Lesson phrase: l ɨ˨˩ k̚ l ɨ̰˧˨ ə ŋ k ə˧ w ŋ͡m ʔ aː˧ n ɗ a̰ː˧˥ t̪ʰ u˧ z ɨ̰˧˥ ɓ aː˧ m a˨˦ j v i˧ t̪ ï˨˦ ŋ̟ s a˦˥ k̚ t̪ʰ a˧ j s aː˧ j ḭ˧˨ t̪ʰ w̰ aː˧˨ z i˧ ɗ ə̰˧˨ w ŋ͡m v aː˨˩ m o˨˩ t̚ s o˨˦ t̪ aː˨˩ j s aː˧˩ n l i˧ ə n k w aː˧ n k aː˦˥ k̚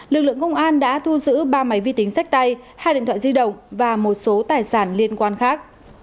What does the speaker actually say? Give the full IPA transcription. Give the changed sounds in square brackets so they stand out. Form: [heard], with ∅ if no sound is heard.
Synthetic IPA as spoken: l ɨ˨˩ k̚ l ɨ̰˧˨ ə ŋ k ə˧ w ŋ͡m ʔ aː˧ n ɗ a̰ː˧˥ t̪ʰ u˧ z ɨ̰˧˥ ɓ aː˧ m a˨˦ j v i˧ t̪ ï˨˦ ŋ̟ s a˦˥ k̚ [t̪] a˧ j [h] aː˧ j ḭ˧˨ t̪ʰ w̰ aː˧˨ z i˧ ɗ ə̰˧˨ w ŋ͡m v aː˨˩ m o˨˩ t̚ s o˨˦ t̪ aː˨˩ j s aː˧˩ n l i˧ ə n k w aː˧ n [x] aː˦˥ k̚

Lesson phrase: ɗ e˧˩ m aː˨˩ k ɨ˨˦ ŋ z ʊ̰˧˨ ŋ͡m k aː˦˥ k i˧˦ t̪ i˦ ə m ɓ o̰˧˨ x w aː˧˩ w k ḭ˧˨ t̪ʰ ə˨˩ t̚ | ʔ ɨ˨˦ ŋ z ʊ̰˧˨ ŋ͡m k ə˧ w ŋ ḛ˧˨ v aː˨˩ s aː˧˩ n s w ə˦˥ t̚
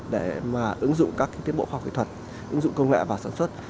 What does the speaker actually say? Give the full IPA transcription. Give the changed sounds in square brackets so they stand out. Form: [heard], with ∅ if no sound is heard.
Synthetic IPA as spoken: ɗ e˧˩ m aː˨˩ [ʔ] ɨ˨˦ ŋ z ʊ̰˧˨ ŋ͡m k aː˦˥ k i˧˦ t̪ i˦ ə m ɓ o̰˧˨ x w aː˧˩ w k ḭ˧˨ t̪ʰ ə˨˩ t̚ | ʔ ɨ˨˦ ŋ z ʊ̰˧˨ ŋ͡m k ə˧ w ŋ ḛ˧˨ v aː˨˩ s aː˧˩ n s w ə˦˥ t̚

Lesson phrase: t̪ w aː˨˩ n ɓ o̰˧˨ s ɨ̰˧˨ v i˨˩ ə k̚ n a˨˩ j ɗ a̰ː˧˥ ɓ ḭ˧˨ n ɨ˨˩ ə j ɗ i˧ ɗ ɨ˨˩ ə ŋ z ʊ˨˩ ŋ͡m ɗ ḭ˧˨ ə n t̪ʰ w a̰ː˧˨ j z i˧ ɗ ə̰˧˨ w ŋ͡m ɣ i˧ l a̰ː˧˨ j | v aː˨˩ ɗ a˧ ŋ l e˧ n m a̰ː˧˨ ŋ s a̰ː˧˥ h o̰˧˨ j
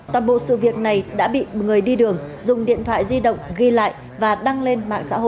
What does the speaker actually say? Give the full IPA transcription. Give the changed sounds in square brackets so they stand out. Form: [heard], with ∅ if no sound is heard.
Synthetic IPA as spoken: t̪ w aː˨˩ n ɓ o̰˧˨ s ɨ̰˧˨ v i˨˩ ə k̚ n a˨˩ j ɗ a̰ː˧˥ ɓ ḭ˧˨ [ŋ] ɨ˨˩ ə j ɗ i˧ ɗ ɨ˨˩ ə ŋ z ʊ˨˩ ŋ͡m ɗ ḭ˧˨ ə n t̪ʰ w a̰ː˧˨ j z i˧ ɗ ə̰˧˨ w ŋ͡m ɣ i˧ l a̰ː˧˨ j | v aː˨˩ ɗ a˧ ŋ l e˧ n m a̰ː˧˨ ŋ s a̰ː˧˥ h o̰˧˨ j

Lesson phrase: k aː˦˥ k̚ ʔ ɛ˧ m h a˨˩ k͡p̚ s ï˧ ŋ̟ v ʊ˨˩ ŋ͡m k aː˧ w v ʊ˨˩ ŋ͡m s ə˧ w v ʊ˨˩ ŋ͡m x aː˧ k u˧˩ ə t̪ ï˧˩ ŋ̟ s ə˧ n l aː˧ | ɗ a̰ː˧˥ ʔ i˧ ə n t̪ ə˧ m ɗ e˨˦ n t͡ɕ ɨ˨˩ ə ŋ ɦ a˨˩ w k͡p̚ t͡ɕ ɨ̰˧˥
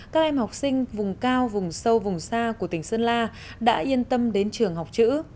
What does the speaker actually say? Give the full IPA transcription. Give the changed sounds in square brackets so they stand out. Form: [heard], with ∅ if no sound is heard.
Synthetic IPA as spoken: k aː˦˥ k̚ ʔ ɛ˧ m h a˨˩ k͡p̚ s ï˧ ŋ̟ v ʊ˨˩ ŋ͡m k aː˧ w v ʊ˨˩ ŋ͡m s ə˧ w v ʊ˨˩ ŋ͡m [s] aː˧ k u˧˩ ə t̪ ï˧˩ ŋ̟ s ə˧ n l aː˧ | ɗ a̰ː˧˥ ʔ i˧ ə n t̪ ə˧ m ɗ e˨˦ n t͡ɕ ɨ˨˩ ə ŋ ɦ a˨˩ w k͡p̚ t͡ɕ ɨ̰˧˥

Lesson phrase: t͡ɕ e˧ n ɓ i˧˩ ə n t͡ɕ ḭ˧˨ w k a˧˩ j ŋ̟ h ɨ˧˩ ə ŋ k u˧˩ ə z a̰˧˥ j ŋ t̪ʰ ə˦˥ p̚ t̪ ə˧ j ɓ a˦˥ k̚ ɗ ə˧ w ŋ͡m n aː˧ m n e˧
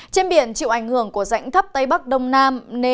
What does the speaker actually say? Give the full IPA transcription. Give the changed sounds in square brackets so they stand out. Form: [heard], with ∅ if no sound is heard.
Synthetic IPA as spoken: t͡ɕ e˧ n ɓ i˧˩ ə n t͡ɕ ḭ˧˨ w [ʔ] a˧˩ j ŋ̟ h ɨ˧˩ ə ŋ k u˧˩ ə z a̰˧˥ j ŋ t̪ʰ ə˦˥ p̚ t̪ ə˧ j ɓ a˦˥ k̚ ɗ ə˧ w ŋ͡m n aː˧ m n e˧

